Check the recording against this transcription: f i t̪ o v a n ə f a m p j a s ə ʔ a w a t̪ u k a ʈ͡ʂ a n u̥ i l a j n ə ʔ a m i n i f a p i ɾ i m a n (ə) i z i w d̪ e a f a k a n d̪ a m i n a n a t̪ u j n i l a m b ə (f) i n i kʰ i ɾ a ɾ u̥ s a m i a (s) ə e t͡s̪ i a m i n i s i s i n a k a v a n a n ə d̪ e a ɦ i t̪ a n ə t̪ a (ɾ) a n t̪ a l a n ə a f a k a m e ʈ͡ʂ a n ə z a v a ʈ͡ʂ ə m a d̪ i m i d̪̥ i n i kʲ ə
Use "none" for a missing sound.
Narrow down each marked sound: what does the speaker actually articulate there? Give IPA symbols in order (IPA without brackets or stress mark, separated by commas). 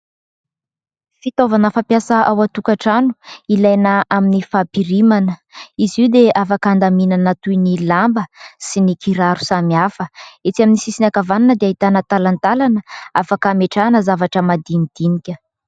ə, s, f, l